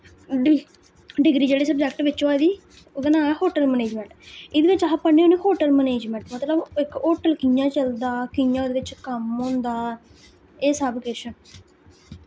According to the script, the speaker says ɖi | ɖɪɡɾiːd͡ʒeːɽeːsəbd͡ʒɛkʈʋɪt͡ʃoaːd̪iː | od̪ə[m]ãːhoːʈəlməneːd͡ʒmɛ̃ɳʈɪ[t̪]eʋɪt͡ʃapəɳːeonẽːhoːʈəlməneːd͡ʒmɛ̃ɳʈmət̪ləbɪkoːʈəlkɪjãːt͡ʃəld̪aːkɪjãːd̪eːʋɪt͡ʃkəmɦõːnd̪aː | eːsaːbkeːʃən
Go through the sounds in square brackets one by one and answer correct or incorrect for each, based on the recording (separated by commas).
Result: incorrect, incorrect